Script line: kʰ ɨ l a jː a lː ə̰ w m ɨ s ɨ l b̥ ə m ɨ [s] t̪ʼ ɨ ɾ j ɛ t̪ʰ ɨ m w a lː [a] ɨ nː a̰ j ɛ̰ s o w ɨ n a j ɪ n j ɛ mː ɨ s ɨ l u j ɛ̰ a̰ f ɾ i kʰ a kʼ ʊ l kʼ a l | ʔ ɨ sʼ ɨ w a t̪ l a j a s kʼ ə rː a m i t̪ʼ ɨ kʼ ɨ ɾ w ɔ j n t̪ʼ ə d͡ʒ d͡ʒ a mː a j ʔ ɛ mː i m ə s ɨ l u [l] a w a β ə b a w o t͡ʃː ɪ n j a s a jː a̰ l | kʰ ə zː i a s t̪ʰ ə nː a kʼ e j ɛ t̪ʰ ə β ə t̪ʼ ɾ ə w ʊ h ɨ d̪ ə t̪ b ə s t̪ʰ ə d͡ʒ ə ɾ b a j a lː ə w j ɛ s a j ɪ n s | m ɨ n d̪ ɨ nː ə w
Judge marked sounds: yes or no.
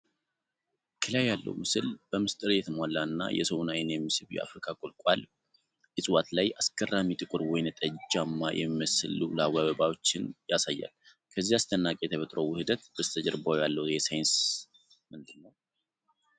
yes, yes, yes

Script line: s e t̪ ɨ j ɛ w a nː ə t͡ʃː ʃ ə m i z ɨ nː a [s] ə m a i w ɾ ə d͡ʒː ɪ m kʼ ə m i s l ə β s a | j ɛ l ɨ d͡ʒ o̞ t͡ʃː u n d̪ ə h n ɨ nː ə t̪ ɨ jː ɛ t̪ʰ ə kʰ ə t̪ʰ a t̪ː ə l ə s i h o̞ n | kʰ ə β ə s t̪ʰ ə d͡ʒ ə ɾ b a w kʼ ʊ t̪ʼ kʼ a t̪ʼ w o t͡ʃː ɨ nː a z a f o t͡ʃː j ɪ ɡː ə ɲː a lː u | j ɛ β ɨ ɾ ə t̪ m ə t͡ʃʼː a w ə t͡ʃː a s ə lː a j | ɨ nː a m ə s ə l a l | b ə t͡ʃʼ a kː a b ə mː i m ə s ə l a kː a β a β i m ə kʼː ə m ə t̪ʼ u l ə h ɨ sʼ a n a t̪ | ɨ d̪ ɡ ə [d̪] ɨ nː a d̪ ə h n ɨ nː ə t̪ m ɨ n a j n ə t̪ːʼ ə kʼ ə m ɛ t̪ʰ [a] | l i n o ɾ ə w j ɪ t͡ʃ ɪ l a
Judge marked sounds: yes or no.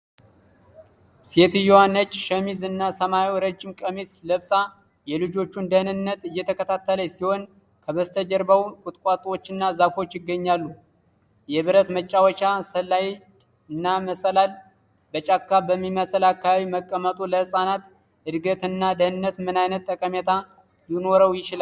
yes, no, yes

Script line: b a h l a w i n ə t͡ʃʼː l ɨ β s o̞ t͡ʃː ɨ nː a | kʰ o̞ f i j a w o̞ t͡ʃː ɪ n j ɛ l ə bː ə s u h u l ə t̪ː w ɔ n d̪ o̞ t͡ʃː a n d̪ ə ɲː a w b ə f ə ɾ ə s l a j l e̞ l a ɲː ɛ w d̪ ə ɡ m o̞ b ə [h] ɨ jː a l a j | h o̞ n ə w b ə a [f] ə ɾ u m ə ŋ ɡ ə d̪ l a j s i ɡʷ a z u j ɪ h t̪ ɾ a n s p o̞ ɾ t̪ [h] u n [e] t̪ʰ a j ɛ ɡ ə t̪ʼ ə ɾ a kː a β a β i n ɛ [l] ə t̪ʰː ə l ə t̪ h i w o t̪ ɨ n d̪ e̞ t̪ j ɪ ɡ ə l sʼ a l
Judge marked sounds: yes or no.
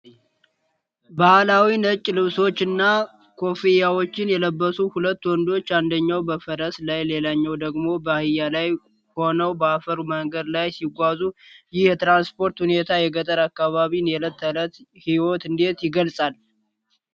yes, yes, yes, yes, yes

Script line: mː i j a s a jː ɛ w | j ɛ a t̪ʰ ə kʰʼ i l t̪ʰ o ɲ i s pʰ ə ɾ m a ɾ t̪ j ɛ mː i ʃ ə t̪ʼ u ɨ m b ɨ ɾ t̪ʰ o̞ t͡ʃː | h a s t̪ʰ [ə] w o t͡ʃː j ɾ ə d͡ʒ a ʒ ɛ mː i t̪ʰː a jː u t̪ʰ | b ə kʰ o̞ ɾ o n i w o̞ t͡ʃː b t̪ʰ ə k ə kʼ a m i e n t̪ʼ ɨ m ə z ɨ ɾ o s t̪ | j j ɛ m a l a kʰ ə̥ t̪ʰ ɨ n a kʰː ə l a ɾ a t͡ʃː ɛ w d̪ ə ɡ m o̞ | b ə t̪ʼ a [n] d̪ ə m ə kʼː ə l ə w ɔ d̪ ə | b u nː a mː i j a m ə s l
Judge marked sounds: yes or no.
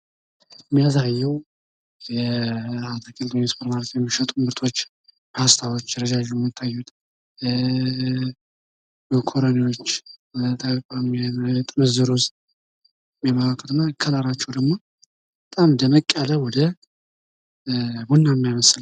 no, no

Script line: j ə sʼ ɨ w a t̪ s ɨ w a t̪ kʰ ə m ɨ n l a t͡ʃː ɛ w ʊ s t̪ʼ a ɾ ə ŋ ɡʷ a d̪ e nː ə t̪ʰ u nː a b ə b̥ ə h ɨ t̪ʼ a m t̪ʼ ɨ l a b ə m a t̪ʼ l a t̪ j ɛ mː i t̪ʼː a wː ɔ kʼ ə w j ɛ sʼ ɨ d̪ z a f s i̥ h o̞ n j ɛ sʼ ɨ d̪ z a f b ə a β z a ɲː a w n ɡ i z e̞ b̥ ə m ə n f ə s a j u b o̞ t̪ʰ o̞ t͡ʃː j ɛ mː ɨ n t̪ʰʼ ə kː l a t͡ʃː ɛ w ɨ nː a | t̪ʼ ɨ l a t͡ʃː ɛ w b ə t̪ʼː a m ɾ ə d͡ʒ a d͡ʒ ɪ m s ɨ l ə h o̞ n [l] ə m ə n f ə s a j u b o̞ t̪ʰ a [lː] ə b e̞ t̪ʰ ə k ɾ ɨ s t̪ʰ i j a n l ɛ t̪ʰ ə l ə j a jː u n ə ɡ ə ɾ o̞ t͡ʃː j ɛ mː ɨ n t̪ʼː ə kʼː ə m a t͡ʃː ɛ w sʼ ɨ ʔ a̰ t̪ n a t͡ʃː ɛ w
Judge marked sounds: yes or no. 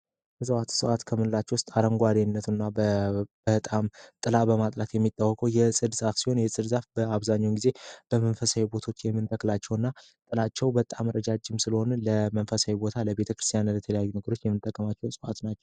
yes, no

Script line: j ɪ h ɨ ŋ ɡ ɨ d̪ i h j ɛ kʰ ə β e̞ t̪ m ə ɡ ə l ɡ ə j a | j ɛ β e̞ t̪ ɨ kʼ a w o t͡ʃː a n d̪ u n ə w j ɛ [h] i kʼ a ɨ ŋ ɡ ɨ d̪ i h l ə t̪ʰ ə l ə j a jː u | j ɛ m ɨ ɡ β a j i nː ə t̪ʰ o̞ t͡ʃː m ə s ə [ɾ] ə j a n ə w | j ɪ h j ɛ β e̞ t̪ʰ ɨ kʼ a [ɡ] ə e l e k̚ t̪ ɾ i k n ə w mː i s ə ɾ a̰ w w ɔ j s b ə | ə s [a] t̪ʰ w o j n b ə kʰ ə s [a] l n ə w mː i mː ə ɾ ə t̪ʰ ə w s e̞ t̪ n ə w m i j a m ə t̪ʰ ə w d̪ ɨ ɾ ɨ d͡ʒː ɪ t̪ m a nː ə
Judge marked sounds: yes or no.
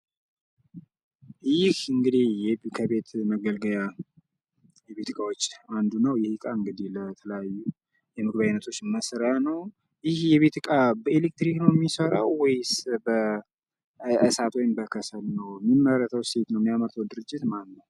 yes, yes, no, yes, no

